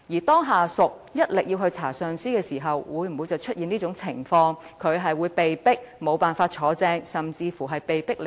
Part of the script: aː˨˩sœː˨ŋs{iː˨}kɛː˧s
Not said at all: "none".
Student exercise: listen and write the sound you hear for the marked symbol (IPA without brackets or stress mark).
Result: iː˥